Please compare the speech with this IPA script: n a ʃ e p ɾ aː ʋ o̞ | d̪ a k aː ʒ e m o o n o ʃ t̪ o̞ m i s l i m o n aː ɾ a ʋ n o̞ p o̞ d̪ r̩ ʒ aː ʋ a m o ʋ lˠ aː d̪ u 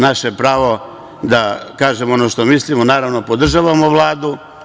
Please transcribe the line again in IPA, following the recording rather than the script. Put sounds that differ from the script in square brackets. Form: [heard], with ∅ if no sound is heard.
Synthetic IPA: n a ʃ e p ɾ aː ʋ o̞ | d̪ a k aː ʒ e m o o n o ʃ t̪ o̞ m i s l i m o n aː ɾ a ʋ n o̞ p o̞ d̪ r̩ ʒ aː ʋ a m o ʋ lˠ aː d̪ u